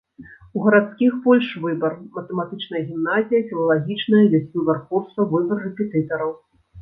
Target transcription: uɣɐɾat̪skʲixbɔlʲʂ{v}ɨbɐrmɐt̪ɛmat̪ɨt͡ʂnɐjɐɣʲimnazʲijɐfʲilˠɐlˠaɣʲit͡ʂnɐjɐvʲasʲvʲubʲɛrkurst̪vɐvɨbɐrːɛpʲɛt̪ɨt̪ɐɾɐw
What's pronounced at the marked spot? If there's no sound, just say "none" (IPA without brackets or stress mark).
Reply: v